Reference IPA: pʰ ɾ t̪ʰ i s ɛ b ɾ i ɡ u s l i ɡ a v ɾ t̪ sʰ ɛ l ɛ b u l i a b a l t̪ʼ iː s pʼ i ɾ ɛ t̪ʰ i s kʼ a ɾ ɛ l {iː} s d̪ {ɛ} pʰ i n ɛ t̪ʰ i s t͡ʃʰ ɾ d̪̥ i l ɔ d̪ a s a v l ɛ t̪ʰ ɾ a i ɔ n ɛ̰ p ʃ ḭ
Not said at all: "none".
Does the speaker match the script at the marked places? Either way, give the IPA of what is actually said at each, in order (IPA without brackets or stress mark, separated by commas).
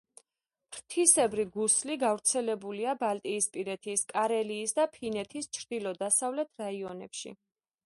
iː, a